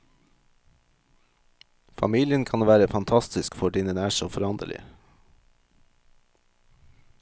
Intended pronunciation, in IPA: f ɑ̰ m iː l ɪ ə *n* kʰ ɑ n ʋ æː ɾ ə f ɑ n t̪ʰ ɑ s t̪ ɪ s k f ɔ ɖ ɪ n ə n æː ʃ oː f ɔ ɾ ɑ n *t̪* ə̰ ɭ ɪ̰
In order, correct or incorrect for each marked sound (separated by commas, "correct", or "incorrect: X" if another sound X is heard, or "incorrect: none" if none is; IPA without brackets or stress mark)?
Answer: correct, incorrect: d̪